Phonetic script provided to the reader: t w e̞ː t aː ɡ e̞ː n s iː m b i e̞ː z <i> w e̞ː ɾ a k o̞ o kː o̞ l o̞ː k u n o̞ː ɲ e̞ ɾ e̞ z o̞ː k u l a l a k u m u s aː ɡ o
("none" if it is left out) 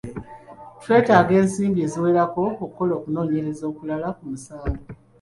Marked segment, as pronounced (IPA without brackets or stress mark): i